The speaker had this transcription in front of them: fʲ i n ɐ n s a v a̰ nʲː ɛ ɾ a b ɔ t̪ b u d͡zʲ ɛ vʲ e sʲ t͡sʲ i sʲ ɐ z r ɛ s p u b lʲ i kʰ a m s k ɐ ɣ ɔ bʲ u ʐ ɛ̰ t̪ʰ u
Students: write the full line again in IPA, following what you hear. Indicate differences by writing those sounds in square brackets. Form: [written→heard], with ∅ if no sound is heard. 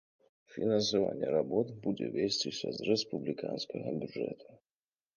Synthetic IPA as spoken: fʲ i n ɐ n s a v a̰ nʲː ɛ ɾ a b ɔ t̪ b u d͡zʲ ɛ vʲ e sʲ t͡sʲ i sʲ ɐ z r ɛ s p u b lʲ i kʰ a [m→n] s k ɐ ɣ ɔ bʲ u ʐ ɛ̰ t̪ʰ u